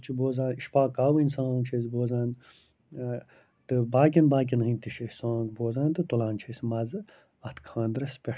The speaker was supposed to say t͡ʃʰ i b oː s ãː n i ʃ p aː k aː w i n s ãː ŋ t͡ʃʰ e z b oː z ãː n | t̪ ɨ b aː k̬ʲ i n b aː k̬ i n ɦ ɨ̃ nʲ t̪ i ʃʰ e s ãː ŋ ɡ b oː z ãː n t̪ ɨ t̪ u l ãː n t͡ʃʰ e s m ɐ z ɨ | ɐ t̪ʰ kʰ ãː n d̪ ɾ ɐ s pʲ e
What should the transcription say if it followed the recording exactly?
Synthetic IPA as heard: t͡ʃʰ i b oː z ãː n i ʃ p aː k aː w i n s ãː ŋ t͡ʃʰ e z b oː z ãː n | t̪ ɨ b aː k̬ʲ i n b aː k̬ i n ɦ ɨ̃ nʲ t̪ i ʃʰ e s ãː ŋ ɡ b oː z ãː n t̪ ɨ t̪ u l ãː n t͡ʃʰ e s m ɐ z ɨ | ɐ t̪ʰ kʰ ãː n d̪ ɾ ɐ s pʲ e